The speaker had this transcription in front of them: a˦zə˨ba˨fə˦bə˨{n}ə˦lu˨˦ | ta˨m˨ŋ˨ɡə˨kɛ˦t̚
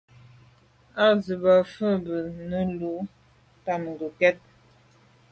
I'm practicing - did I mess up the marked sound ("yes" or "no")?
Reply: no